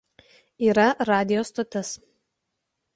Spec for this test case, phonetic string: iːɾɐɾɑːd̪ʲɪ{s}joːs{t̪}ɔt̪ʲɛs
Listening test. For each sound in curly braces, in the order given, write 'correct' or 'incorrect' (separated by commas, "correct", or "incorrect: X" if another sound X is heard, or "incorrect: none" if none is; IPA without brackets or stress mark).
incorrect: none, correct